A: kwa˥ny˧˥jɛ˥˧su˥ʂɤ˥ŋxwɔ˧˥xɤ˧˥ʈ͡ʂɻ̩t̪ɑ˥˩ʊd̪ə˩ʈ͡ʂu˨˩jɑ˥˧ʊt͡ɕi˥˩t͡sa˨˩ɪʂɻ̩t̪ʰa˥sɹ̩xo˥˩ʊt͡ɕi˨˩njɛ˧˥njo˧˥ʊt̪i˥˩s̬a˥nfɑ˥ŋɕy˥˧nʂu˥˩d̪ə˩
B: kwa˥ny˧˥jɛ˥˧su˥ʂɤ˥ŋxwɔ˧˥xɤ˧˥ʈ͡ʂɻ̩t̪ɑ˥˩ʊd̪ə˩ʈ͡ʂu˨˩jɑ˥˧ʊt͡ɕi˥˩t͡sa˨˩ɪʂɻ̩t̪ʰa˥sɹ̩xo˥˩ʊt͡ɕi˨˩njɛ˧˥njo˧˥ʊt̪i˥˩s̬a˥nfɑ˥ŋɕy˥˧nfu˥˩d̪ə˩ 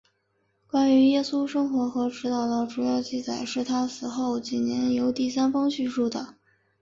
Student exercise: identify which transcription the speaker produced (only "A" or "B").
A